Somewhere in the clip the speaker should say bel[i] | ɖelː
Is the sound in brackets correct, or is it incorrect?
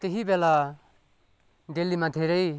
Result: incorrect